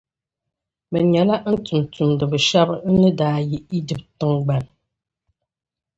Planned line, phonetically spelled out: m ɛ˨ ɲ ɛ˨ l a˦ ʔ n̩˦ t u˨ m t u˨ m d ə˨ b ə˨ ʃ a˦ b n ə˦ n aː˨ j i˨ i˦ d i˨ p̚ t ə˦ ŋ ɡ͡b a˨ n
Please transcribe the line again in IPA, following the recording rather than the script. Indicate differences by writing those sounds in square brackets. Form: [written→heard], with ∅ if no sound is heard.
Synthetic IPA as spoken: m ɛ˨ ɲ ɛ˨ l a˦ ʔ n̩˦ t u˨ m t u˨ m d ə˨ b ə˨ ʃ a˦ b n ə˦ [n→d] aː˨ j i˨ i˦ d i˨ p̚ t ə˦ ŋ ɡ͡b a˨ n